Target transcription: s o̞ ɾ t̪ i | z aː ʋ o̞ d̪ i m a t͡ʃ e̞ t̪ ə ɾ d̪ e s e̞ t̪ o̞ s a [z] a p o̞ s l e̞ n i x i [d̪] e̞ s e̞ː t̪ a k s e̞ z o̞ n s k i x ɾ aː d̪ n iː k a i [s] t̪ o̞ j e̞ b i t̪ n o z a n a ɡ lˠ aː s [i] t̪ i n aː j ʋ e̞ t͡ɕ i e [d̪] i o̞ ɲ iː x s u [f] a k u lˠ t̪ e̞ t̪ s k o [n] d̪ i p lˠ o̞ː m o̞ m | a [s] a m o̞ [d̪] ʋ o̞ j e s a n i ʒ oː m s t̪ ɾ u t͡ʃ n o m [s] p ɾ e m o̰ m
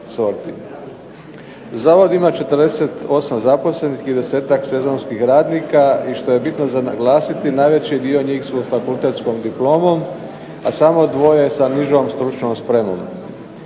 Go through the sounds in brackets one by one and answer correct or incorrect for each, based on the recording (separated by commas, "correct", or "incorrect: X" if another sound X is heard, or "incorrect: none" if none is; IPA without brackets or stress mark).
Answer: correct, correct, incorrect: ʃ, correct, correct, correct, incorrect: m, correct, correct, correct